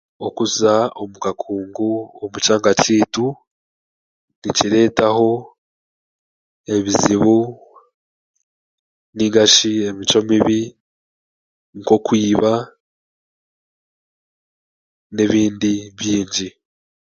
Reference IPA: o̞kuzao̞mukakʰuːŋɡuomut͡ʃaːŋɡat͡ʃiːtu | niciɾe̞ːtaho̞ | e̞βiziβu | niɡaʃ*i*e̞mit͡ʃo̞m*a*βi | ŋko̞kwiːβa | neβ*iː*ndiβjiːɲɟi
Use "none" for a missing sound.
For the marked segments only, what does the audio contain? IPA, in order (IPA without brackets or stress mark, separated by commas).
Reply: i, i, iː